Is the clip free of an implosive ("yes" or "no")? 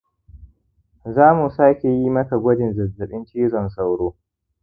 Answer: no